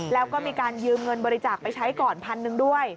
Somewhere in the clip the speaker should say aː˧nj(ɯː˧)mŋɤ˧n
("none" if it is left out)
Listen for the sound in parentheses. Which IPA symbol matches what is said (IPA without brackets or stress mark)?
ɯː˧